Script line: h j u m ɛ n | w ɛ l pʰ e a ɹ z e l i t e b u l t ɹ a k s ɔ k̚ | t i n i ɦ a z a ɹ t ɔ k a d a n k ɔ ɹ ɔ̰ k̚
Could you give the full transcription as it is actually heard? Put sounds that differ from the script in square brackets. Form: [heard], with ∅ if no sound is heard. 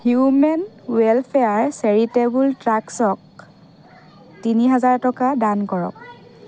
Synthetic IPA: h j u m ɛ n | w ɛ l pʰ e a ɹ [s] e [ɹ] i t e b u l t ɹ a k s ɔ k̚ | t i n i ɦ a z a ɹ t ɔ k a d a n k ɔ ɹ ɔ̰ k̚